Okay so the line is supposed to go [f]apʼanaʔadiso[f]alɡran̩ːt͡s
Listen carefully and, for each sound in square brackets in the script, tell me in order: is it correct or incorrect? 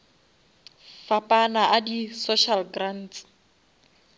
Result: correct, incorrect: ʃ

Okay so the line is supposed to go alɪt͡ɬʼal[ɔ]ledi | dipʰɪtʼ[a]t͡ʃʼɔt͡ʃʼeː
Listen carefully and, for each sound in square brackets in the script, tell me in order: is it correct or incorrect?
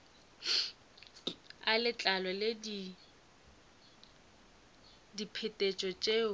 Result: correct, incorrect: e

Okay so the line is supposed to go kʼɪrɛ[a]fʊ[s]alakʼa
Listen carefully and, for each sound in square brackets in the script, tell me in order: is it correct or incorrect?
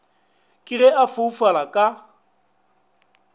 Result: correct, incorrect: f

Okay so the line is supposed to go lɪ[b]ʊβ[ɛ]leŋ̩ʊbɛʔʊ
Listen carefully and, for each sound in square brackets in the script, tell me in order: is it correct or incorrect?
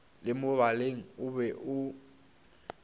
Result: incorrect: m, incorrect: a

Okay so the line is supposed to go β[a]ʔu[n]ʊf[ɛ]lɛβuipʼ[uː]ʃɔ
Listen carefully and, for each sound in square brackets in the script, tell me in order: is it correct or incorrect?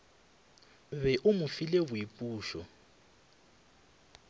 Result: incorrect: ɛ, incorrect: m, incorrect: i, correct

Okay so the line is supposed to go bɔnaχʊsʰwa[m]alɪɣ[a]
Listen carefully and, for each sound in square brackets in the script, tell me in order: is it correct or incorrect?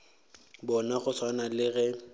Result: incorrect: n, incorrect: ɛ

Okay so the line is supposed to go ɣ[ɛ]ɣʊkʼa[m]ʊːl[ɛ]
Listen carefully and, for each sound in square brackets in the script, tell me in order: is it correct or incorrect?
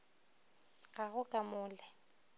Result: incorrect: a, correct, correct

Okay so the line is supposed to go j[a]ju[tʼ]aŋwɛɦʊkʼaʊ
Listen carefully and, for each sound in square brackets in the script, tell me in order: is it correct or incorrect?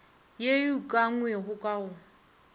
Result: incorrect: e, incorrect: kʼ

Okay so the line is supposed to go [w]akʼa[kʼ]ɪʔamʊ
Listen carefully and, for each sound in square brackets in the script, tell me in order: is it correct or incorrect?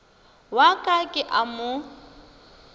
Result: correct, correct

